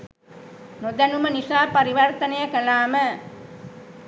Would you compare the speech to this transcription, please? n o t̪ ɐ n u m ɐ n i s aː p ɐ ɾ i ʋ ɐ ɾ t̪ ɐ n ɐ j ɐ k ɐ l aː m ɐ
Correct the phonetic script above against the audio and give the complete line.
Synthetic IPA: n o d̪ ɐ n u m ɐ n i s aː p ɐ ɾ i ʋ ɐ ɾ t̪ ɐ n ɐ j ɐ k ɐ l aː m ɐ